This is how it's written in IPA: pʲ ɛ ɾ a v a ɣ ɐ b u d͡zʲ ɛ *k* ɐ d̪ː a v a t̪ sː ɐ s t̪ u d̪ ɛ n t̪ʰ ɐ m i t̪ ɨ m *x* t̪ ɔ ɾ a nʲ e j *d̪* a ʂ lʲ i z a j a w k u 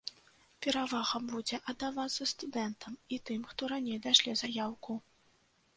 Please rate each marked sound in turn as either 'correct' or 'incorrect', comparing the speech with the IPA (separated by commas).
incorrect, correct, correct